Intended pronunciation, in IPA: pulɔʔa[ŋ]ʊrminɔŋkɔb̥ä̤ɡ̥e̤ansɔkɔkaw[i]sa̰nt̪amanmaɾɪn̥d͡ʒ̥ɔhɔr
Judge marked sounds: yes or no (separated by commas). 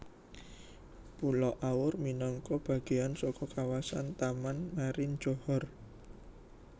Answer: no, no